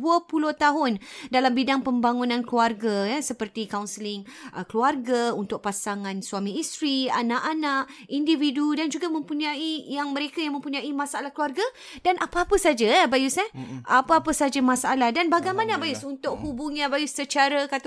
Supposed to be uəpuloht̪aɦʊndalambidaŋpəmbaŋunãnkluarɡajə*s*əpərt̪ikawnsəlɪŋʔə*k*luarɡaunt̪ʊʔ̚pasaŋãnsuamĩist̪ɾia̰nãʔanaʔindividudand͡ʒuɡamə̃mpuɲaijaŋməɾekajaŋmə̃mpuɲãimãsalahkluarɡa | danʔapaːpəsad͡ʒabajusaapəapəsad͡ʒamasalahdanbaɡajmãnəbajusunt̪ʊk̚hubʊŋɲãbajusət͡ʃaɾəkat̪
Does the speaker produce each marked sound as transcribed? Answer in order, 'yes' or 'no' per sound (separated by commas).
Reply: yes, yes